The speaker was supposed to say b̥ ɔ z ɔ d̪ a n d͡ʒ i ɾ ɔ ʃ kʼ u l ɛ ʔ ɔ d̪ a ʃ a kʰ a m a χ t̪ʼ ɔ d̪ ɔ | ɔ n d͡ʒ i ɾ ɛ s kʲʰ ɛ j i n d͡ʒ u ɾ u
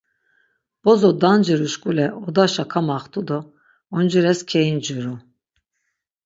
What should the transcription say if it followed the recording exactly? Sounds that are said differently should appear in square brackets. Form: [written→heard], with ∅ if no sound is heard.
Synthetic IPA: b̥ ɔ z ɔ d̪ a n d͡ʒ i ɾ [ɔ→u] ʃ kʼ u l ɛ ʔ ɔ d̪ a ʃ a kʰ a m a χ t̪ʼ [ɔ→u] d̪ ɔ | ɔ n d͡ʒ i ɾ ɛ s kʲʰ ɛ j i n d͡ʒ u ɾ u